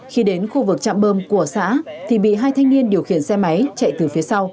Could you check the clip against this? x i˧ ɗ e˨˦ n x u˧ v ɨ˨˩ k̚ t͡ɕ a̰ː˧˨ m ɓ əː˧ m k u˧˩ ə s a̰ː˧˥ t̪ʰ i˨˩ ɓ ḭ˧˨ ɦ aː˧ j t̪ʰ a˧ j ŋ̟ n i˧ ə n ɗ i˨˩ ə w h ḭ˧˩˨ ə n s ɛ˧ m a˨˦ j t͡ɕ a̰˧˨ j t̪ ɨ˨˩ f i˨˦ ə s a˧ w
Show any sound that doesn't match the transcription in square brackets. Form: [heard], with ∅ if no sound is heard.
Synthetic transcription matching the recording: x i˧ ɗ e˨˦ n x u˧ v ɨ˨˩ k̚ t͡ɕ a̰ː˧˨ m ɓ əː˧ m k u˧˩ ə s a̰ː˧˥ t̪ʰ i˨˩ ɓ ḭ˧˨ ɦ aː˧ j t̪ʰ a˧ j ŋ̟ n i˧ ə n ɗ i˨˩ ə w [x] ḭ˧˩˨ ə n s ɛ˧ m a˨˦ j t͡ɕ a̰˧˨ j t̪ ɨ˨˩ f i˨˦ ə s a˧ w